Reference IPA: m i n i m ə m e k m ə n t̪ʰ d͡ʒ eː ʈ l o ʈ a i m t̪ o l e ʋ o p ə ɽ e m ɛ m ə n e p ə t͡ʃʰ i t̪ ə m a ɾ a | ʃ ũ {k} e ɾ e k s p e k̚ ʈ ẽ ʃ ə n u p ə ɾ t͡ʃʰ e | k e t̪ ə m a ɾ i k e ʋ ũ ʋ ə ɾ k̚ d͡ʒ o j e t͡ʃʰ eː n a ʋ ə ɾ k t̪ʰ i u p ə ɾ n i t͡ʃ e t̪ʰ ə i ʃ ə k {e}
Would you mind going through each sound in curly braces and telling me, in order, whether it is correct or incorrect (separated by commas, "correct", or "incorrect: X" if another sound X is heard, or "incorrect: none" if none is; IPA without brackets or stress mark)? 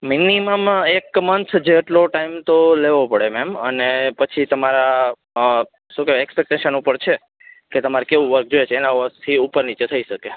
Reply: correct, correct